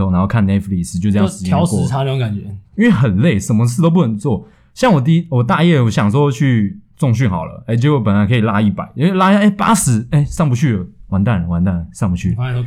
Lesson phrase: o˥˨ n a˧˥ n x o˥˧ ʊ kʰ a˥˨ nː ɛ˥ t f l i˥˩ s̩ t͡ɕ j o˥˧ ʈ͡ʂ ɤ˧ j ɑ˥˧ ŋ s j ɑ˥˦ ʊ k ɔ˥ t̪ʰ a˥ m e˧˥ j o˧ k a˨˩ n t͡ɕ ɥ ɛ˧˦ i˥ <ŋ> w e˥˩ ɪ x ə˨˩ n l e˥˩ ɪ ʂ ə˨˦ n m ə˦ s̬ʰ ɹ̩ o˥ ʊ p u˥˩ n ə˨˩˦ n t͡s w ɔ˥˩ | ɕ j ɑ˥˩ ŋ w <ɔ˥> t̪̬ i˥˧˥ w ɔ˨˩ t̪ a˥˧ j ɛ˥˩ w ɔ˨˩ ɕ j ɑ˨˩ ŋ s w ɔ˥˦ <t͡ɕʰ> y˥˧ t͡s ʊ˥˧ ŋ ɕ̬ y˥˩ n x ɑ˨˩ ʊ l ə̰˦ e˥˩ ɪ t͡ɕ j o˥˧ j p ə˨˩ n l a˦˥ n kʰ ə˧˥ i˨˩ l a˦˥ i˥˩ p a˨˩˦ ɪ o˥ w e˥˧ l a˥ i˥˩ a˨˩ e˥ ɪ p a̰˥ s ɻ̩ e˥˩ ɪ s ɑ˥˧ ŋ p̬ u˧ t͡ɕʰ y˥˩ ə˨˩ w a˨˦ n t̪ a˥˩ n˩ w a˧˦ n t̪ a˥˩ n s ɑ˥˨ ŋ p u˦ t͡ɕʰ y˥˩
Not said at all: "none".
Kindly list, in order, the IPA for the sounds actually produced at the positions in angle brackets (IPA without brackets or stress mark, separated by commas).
n, ɔ˨˩, t͡ɕʰ